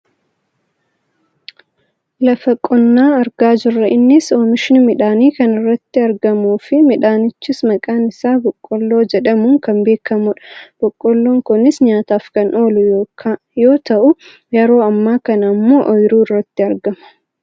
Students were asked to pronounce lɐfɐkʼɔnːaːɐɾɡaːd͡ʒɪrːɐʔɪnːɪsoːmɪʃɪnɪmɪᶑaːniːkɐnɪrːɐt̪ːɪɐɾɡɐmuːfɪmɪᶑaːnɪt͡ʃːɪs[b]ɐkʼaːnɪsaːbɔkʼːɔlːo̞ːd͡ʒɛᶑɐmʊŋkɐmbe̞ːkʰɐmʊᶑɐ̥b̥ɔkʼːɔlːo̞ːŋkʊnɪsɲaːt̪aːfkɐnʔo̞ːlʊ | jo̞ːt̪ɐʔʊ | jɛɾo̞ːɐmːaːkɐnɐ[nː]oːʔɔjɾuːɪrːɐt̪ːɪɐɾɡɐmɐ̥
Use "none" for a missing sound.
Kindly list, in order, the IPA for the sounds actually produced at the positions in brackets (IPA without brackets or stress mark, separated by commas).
m, mː